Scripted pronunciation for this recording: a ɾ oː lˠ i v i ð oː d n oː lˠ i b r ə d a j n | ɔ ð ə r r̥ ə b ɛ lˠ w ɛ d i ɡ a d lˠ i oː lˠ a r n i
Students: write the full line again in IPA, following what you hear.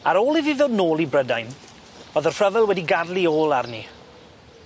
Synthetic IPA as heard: a ɾ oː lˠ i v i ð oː d n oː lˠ i b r ə d a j n | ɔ ð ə r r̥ ə v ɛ lˠ w ɛ d i ɡ a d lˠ i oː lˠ a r n i